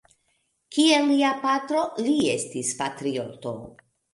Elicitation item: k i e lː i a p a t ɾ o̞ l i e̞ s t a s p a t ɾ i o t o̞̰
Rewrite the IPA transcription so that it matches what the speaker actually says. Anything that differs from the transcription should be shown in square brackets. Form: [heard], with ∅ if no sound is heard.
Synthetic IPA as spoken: k i e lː i a p a t ɾ o̞ l i e̞ s t [i] s p a t ɾ i o t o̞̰